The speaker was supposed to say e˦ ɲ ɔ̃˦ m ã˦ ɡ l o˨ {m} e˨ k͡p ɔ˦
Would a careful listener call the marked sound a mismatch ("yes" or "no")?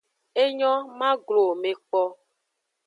no